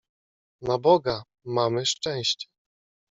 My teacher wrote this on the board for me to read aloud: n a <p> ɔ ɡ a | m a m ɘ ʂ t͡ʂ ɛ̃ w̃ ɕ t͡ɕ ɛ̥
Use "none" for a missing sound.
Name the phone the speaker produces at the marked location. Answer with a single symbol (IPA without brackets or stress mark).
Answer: b